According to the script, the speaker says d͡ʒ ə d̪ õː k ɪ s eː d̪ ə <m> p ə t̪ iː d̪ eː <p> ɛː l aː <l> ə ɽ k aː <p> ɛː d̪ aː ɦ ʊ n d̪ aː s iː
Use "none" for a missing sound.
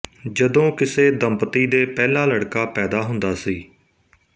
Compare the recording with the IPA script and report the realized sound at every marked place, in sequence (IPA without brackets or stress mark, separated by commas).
m, p, l, p